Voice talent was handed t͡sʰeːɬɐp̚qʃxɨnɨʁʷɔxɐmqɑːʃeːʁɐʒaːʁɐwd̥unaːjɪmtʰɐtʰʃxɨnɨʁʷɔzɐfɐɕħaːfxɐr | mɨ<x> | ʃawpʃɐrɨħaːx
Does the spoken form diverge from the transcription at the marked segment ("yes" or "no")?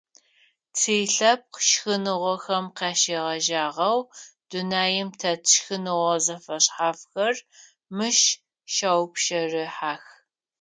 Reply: yes